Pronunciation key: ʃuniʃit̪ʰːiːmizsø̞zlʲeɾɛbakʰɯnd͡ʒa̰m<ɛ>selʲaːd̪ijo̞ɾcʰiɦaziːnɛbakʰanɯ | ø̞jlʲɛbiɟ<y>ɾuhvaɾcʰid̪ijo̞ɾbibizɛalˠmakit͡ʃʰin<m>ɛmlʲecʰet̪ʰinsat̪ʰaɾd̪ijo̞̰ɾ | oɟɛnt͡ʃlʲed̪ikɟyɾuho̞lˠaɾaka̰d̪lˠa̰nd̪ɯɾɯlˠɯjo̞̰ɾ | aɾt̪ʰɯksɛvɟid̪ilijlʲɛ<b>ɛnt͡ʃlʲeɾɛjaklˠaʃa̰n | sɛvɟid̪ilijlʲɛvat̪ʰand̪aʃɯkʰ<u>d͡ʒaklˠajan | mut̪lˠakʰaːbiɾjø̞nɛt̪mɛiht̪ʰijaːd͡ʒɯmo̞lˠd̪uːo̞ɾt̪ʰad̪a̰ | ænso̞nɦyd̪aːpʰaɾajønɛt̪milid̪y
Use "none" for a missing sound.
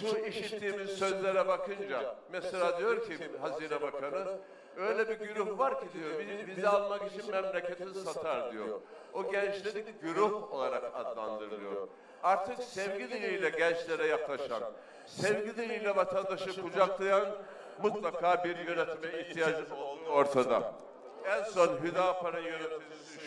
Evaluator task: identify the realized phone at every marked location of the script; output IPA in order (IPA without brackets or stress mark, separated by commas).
ɛ, y, m, ɟ, u